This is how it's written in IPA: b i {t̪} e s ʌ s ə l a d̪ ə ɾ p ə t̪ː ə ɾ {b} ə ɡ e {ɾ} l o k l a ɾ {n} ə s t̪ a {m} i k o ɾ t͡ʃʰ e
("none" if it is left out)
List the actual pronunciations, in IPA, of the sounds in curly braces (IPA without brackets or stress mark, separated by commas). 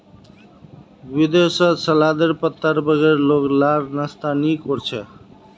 d̪, b, ɾ, n, n